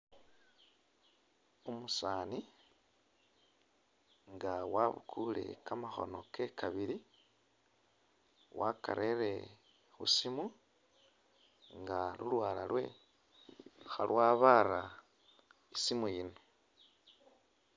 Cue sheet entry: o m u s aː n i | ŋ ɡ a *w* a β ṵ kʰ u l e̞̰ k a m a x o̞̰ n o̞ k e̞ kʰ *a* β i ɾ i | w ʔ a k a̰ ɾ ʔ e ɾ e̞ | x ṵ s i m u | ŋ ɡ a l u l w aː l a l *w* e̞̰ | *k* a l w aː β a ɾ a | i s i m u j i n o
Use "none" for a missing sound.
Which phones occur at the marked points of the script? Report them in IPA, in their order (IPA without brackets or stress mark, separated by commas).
w, a, w, x